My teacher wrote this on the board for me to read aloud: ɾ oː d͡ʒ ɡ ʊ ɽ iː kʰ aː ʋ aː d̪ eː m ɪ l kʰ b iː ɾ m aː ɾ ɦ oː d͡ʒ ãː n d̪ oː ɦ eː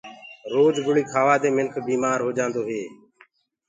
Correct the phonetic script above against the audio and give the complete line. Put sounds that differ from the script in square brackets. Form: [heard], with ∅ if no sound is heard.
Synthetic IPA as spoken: ɾ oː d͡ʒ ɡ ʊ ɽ iː kʰ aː ʋ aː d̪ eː m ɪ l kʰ b iː [∅] m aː ɾ ɦ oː d͡ʒ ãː n d̪ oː ɦ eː